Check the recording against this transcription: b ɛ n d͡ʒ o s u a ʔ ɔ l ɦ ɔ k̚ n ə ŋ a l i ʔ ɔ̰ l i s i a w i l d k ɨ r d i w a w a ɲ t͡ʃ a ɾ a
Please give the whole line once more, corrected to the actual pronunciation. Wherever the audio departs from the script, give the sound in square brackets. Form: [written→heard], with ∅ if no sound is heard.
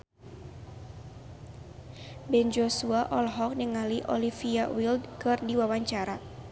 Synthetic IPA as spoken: b ɛ n d͡ʒ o s u a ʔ ɔ l ɦ ɔ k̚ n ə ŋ a l i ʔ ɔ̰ l i [s→f] i a w i l d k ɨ r d i w a w a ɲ t͡ʃ a ɾ a